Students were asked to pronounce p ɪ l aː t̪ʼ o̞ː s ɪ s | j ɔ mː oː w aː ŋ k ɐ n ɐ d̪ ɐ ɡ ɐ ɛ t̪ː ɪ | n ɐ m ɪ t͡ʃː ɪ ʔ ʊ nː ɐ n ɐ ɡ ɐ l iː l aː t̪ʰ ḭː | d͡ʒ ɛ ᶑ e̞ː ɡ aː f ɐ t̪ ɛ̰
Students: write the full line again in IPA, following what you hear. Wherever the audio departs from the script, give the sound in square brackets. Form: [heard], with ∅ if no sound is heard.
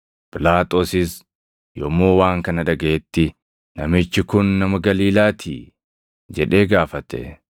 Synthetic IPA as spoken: p ɪ l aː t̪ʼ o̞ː s ɪ s | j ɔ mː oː w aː ŋ k ɐ n ɐ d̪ ɐ ɡ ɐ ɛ t̪ː ɪ | n ɐ m ɪ t͡ʃː ɪ [k] ʊ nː ɐ [m] ɐ ɡ ɐ l iː l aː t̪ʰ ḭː | d͡ʒ ɛ ᶑ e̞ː ɡ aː f ɐ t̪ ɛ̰